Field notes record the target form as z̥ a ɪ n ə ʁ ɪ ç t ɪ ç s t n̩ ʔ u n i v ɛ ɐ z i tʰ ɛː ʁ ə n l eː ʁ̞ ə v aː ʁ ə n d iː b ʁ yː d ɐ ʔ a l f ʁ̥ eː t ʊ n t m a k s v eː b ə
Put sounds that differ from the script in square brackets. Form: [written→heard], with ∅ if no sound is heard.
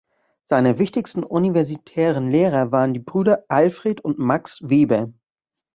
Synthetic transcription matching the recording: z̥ a ɪ n ə [ʁ→v] ɪ ç t ɪ ç s t n̩ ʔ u n i v ɛ ɐ z i tʰ ɛː ʁ ə n l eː ʁ̞ [ə→ɐ] v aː ʁ ə n d iː b ʁ yː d ɐ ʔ a l f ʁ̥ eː t ʊ n t m a k s v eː b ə